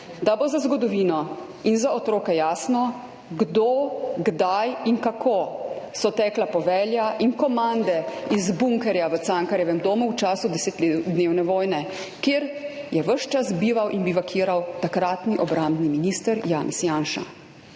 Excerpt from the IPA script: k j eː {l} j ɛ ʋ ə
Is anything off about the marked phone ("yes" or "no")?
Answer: yes